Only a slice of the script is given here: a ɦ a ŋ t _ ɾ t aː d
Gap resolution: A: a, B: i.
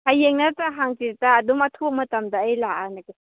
B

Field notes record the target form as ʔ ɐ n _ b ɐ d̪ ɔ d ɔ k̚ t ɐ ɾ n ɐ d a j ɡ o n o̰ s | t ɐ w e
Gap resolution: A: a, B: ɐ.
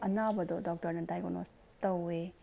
A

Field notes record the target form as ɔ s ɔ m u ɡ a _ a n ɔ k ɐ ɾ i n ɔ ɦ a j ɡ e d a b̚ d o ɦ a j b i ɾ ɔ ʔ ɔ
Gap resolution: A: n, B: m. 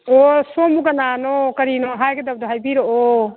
A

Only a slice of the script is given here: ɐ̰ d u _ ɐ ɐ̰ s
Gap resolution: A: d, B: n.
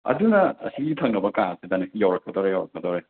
B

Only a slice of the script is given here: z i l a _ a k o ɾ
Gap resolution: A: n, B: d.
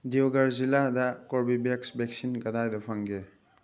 B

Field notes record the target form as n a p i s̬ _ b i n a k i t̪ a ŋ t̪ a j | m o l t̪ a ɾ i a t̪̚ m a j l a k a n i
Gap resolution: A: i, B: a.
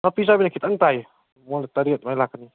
B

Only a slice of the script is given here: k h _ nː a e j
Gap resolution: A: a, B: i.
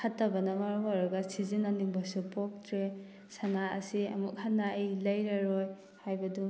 A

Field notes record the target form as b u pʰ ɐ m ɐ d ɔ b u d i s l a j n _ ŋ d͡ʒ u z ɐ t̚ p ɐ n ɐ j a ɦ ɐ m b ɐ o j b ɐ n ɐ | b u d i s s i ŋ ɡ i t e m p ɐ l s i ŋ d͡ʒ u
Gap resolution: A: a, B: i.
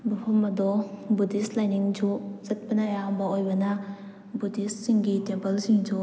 B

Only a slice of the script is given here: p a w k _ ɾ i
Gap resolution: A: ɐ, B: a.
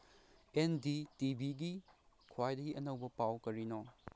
A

